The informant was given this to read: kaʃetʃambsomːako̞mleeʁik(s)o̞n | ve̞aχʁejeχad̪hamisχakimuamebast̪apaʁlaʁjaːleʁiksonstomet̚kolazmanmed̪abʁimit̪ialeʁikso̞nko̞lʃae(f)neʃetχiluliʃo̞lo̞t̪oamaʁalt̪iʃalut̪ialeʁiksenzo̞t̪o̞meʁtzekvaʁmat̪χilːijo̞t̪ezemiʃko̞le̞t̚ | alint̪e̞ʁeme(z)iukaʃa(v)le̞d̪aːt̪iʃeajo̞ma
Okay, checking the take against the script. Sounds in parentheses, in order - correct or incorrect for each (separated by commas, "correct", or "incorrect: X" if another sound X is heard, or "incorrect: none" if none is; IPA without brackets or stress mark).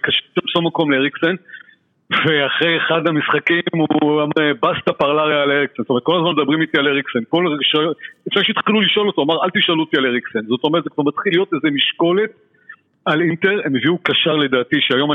correct, correct, incorrect: v, incorrect: ʁ